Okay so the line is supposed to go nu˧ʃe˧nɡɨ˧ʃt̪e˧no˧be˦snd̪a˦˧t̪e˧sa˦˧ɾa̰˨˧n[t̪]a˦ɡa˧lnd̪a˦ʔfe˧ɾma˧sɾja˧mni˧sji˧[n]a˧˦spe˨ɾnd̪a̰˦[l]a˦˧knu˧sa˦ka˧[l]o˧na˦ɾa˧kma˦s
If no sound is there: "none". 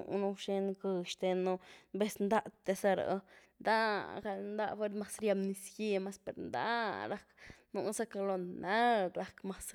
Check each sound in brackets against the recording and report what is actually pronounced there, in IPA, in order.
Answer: d̪, m, ɾ, l

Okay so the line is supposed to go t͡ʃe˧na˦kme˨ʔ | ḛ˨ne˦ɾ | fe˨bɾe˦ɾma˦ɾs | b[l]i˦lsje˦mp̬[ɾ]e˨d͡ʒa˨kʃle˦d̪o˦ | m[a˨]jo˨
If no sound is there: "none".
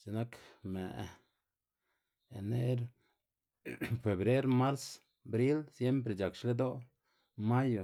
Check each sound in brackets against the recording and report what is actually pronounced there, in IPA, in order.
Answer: ɾ, ɾ, a˦

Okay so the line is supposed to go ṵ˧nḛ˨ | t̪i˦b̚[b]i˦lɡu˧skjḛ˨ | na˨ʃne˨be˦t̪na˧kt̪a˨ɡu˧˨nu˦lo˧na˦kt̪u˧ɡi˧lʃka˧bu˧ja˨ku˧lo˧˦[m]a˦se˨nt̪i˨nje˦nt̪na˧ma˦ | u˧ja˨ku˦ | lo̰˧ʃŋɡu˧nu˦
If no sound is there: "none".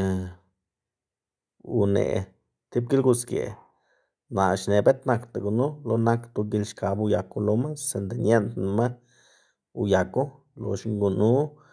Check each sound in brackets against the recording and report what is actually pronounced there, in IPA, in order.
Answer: ɡ, m

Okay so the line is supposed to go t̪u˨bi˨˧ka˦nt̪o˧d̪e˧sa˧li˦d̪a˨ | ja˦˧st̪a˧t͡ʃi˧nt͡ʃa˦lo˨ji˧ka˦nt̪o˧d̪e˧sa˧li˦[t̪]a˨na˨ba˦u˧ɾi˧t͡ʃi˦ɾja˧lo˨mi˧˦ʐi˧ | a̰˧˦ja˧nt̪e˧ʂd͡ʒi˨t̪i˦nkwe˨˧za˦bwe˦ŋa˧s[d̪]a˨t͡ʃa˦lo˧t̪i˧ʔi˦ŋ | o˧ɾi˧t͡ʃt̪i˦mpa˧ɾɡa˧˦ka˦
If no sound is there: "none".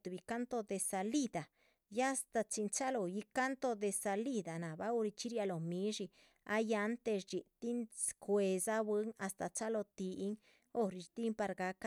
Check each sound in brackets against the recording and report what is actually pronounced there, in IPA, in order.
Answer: d̪, t̪

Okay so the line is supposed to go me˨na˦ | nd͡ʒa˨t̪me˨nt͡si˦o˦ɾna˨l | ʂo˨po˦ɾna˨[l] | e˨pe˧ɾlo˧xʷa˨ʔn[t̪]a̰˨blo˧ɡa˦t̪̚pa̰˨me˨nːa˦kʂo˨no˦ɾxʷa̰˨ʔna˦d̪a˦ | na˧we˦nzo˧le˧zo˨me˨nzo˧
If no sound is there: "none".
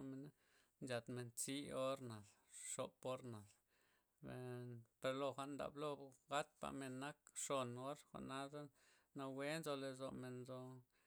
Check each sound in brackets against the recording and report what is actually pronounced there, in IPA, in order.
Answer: l, d̪

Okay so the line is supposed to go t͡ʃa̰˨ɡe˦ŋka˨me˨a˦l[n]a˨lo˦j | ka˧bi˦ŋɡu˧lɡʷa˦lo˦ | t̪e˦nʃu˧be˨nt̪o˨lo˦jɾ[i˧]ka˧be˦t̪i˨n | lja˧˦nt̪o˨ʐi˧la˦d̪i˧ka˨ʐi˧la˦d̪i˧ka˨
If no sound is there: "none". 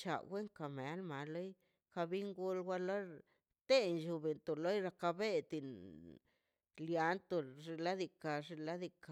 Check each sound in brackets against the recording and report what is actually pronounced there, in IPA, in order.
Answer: m, a˧

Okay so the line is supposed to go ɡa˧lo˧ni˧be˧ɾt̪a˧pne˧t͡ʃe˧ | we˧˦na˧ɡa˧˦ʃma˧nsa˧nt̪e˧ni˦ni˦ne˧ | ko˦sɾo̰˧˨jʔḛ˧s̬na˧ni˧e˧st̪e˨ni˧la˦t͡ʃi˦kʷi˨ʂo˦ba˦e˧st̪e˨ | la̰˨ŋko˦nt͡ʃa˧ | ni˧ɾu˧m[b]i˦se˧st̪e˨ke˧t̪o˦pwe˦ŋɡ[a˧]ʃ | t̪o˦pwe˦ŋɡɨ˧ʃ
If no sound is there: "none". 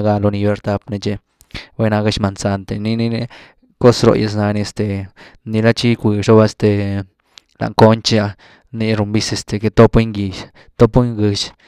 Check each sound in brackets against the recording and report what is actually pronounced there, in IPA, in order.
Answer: b, i˧

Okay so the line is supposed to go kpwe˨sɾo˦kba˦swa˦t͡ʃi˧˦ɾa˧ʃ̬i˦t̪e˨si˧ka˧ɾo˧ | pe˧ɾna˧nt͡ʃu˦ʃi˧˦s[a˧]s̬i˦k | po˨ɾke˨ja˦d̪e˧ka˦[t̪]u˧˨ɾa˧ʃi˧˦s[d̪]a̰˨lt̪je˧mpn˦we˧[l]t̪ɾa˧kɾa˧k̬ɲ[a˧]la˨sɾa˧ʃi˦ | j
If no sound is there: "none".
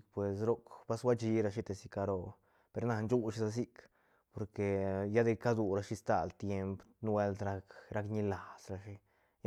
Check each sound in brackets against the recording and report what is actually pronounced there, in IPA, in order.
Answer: a˧, d̪, t̪, l, i˧

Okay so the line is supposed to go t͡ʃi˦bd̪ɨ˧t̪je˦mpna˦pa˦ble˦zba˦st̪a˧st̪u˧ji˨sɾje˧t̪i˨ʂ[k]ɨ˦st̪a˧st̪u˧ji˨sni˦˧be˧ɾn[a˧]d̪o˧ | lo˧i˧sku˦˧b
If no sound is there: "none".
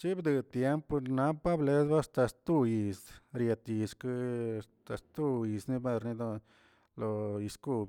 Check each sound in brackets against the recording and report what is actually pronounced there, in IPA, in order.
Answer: k, i˧

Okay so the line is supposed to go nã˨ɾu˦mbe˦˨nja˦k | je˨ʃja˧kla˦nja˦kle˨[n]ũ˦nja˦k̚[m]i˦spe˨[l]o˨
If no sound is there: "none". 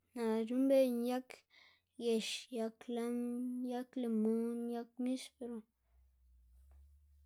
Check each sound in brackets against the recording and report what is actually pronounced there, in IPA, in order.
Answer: m, m, ɾ

